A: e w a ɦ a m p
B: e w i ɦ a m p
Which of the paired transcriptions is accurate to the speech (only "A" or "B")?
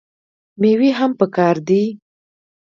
B